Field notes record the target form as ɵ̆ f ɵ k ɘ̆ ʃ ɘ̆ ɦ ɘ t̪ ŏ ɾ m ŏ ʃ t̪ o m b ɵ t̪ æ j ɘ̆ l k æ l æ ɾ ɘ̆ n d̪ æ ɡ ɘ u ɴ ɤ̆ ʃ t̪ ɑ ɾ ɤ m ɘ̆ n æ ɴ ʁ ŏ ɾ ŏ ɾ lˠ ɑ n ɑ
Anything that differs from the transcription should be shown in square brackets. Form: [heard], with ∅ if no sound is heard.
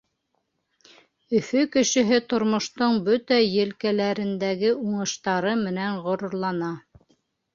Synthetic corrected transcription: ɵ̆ f ɵ k ɘ̆ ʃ ɘ̆ ɦ ɘ t̪ ŏ ɾ m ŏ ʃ t̪ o [ɴ] b ɵ t̪ æ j ɘ̆ l k æ l æ ɾ ɘ̆ n d̪ æ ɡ ɘ u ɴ ɤ̆ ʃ t̪ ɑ ɾ ɤ m ɘ̆ n æ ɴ ʁ ŏ ɾ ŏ ɾ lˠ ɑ n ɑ